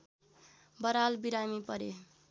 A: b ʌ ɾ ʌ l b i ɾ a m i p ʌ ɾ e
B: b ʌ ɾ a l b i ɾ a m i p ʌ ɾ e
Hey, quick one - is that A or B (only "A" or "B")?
B